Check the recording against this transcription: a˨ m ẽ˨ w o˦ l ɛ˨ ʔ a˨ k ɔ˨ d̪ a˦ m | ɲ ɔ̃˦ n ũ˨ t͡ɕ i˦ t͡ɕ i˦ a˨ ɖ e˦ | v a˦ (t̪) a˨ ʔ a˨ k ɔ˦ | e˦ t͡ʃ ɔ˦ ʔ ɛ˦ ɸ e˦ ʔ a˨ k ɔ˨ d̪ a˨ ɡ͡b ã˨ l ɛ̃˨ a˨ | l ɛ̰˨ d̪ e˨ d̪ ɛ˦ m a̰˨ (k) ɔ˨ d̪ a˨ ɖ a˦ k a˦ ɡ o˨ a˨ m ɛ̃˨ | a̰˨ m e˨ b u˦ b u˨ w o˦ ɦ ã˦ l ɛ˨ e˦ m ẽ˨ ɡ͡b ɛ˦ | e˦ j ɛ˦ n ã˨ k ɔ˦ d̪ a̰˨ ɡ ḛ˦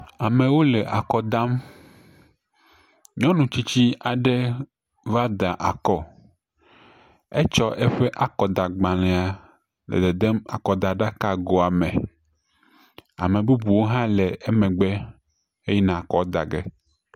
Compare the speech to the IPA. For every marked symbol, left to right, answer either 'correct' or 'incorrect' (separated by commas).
incorrect, correct